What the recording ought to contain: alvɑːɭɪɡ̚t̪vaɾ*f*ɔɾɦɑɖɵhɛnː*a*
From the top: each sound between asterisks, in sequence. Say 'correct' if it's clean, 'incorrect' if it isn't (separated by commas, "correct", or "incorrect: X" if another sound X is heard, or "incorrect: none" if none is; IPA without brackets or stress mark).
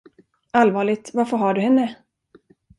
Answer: correct, incorrect: ə